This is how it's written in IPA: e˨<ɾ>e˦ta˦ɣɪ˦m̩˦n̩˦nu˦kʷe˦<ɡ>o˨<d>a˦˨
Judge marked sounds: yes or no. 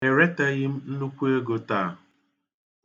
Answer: yes, yes, no

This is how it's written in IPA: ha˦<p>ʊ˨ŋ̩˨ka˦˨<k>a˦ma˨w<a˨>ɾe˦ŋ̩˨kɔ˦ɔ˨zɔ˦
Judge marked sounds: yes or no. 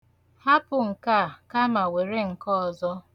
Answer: yes, yes, no

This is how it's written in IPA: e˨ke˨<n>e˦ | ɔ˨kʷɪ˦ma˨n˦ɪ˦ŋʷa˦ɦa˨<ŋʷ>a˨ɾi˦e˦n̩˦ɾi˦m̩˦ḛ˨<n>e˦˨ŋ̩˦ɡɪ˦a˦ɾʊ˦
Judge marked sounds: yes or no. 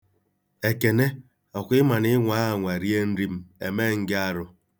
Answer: yes, yes, no

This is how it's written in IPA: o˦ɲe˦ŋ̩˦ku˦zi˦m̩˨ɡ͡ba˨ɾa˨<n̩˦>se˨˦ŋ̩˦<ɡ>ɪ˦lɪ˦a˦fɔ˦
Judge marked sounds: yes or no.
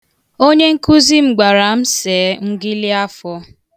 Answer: no, yes

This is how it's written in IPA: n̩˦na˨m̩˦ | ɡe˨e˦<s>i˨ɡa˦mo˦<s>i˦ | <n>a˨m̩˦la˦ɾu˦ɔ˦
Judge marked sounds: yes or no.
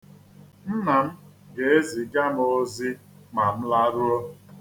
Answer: no, no, no

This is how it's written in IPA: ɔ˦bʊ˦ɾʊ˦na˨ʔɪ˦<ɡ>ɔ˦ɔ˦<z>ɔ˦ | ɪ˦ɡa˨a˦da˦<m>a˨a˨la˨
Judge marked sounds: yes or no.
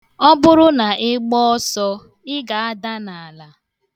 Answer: no, no, no

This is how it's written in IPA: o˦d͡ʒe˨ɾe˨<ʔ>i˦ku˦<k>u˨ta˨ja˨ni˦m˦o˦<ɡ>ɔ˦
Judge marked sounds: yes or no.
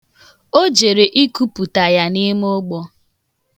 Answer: yes, no, no

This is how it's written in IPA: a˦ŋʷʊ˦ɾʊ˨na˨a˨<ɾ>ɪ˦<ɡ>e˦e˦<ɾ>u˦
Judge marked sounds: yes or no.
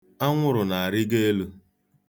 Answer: yes, yes, no

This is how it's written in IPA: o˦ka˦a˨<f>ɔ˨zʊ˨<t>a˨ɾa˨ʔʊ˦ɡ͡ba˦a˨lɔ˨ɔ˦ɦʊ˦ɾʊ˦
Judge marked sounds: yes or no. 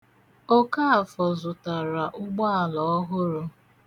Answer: yes, yes

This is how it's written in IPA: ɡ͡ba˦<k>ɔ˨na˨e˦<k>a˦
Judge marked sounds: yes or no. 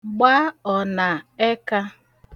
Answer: no, yes

